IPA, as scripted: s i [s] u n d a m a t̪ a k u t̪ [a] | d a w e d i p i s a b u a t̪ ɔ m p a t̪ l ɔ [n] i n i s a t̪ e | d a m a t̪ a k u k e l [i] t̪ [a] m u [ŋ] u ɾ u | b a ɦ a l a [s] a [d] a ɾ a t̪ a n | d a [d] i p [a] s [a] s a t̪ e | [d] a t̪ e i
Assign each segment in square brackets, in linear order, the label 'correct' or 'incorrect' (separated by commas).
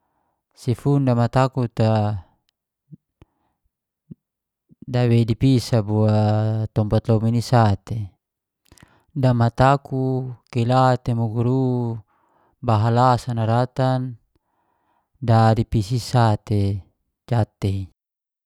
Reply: incorrect, correct, incorrect, incorrect, incorrect, incorrect, correct, incorrect, correct, incorrect, incorrect, incorrect